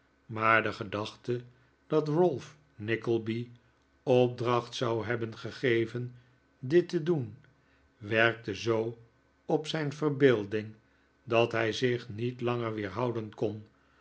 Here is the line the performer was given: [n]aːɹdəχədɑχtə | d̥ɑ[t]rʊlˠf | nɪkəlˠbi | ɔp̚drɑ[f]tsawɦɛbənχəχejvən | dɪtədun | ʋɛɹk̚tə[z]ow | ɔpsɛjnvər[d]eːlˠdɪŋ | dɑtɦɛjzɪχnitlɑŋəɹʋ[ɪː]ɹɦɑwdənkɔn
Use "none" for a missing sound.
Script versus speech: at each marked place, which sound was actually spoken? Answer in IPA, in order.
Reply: m, t, χ, z, b, ɪː

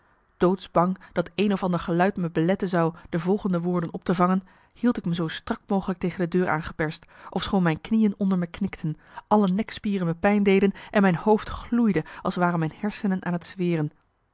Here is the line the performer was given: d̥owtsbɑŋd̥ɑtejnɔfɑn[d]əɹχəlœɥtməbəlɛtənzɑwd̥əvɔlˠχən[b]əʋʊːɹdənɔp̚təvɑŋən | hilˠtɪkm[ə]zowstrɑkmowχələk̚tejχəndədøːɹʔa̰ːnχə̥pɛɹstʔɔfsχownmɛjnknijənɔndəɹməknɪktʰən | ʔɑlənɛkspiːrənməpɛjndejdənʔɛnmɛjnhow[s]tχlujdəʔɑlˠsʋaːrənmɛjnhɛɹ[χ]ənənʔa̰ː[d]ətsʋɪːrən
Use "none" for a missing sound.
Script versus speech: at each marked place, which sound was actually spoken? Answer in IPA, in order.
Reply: d, d, ə, f, s, n

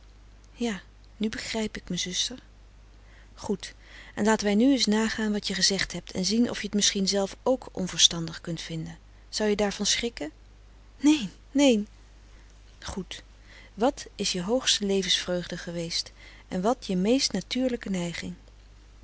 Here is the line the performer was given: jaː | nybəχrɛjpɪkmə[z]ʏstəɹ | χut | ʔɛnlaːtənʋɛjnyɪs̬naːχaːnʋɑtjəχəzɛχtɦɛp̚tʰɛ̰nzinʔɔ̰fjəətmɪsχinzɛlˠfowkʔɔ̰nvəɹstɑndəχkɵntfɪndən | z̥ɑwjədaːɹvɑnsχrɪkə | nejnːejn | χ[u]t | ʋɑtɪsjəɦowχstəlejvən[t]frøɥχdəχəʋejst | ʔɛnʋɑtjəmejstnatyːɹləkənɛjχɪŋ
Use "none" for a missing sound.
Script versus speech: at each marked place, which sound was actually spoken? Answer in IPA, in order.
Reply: z, u, s

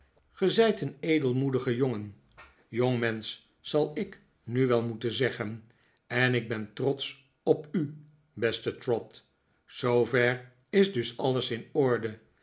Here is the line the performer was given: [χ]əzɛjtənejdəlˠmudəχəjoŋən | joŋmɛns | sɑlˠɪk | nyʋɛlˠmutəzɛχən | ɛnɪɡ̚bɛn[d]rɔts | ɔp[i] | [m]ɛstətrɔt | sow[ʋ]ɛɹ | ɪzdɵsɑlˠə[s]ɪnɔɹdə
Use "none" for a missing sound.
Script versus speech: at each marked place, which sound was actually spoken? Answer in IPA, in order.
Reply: χ, t, y, b, v, s

